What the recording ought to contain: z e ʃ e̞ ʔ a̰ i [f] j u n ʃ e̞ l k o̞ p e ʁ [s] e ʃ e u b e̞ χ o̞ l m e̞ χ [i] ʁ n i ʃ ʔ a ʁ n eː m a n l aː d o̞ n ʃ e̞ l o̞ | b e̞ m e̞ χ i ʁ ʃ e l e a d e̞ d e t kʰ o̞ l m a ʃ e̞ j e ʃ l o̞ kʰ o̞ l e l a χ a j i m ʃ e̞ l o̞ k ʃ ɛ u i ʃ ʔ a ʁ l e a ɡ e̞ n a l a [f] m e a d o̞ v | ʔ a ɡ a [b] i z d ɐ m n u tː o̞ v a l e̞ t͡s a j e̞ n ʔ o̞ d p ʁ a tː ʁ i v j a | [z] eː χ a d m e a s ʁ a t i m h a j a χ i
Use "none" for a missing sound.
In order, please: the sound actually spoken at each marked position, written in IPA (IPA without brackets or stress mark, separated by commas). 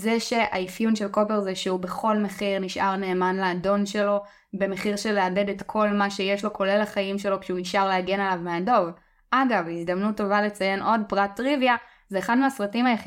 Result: f, z, i, v, v, z